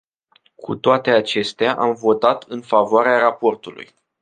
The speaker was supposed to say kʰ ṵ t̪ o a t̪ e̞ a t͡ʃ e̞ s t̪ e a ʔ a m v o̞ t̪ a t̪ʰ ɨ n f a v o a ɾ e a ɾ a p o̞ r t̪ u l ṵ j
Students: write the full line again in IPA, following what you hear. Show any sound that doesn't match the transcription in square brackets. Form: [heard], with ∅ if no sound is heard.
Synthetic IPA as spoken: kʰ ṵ t̪ o a t̪ e̞ a t͡ʃ e̞ s t̪ e a ʔ a m v o̞ t̪ a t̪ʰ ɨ n f a v o a ɾ e a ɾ a p o̞ r t̪ u l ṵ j